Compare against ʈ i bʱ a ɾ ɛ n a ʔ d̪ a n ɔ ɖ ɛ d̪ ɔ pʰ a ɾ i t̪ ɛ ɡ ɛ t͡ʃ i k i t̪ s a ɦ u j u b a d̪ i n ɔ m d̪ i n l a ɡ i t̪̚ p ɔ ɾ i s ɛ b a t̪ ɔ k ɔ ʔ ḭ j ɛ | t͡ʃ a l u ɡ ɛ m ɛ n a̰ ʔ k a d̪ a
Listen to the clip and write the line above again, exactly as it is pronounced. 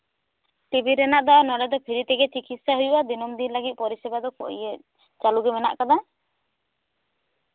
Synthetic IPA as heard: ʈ i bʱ i ɾ ɛ n a ʔ d̪ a n ɔ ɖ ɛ d̪ ɔ pʰ i ɾ i t̪ ɛ ɡ ɛ t͡ʃ i k i t̪ s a ɦ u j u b a d̪ i n ɔ m d̪ i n l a ɡ i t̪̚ p ɔ ɾ i s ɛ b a d̪ ɔ k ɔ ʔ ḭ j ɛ | t͡ʃ a l u ɡ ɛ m ɛ n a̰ ʔ k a d̪ a

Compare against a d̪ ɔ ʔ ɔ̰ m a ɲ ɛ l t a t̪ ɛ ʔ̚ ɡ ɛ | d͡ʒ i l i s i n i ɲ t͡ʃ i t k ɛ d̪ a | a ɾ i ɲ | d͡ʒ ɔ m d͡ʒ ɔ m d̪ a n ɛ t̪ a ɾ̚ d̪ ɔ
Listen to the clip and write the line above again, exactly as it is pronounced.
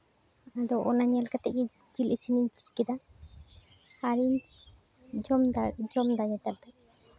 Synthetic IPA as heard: a d̪ ɔ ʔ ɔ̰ n a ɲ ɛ l k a t̪ ɛ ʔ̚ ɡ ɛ | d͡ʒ i l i s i n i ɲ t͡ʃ i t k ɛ d̪ a | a ɾ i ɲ | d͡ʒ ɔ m d͡ʒ ɔ m d̪ a ɲ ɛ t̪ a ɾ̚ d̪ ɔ

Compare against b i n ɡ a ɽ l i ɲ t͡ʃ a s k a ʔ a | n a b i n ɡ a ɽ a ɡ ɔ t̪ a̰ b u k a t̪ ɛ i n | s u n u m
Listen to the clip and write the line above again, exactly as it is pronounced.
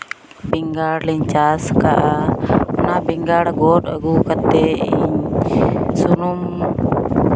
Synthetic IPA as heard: b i ŋ ɡ a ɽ l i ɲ t͡ʃ a s k a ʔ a | n a b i ŋ ɡ a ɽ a ɡ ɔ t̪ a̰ ɡ u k a t̪ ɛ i ɲ | s u n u m

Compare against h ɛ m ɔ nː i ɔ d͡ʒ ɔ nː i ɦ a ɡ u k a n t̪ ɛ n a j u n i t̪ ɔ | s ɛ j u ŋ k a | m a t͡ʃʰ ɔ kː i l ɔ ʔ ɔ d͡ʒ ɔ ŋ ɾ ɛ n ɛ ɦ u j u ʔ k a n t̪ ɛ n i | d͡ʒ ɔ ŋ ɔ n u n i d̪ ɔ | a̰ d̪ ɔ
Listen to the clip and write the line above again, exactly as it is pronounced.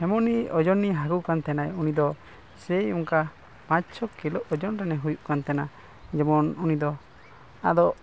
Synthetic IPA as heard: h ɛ m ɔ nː i ɔ d͡ʒ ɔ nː i ɦ a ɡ u k a n t̪ ɛ n a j u n i d̪ ɔ | s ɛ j u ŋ k a | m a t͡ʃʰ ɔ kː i l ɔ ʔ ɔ d͡ʒ ɔ n ɾ ɛ n ɛ ɦ u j u ʔ k a n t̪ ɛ n a | d͡ʒ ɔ m ɔ n u n i d̪ ɔ | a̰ d̪ ɔ

